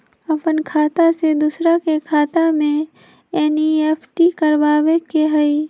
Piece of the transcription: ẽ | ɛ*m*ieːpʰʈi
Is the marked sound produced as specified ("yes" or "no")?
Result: no